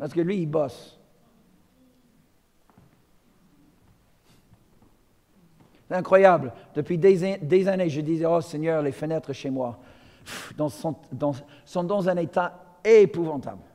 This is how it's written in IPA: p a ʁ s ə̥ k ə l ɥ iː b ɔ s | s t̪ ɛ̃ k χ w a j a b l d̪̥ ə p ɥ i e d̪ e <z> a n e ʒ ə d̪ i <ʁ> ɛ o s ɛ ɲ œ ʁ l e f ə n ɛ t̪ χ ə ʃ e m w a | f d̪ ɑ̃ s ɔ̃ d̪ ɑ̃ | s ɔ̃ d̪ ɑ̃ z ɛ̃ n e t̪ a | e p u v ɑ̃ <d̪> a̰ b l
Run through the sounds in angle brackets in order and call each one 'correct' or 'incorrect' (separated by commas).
correct, incorrect, incorrect